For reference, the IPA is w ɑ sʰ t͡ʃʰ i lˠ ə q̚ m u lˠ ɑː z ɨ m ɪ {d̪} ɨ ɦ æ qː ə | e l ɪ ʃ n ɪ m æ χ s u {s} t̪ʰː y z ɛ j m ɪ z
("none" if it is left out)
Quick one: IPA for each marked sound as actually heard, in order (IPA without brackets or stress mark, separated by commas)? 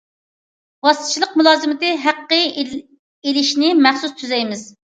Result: t̪, s